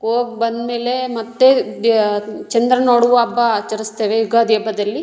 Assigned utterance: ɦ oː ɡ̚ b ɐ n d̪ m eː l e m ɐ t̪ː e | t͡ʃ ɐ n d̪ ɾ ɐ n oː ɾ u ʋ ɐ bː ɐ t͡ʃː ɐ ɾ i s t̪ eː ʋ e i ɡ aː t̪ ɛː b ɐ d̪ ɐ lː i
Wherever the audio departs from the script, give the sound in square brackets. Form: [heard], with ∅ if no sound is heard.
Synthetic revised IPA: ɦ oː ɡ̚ b ɐ n d̪ m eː l e m ɐ t̪ː e | t͡ʃ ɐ n d̪ ɾ ɐ n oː [ɽ] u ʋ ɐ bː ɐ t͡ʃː ɐ ɾ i s t̪ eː ʋ e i ɡ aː [d̪] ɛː b ɐ d̪ ɐ lː i